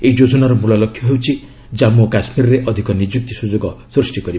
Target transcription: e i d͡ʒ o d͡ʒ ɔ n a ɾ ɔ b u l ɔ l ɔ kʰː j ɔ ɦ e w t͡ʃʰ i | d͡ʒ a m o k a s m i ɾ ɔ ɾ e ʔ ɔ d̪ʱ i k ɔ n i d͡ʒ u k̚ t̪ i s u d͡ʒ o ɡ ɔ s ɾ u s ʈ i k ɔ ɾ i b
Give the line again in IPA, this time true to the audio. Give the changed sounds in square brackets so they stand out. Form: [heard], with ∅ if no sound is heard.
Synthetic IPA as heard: e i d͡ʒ o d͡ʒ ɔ n a ɾ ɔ [m] u l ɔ l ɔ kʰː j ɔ ɦ e w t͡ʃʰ i | d͡ʒ a m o k a s m i ɾ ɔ ɾ e ʔ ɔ d̪ʱ i k ɔ n i d͡ʒ u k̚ t̪ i s u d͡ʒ o ɡ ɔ s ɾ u s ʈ i k ɔ ɾ i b